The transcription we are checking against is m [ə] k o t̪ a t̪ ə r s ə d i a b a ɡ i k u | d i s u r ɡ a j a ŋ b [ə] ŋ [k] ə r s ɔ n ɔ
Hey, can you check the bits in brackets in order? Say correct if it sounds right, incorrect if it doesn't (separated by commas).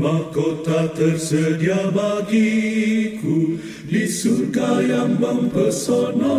incorrect, correct, incorrect